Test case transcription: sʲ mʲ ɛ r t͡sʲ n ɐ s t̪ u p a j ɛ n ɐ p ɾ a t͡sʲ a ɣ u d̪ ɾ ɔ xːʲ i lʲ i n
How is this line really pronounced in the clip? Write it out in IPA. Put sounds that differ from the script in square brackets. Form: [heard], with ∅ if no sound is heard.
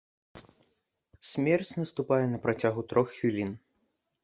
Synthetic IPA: sʲ mʲ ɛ r t͡sʲ n ɐ s t̪ u p a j ɛ n ɐ p ɾ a t͡sʲ a ɣ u [t̪] ɾ ɔ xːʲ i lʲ i n